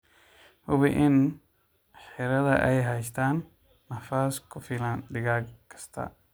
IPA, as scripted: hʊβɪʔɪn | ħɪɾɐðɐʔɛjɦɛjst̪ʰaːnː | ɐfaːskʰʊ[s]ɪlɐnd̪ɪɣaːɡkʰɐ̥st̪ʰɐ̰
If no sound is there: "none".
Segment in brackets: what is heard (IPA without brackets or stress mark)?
f